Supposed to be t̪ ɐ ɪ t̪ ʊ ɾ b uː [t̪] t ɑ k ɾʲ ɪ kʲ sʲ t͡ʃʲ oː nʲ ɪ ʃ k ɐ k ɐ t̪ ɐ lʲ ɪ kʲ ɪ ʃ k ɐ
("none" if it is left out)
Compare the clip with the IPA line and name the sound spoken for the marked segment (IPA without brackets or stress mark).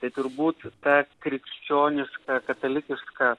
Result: t̪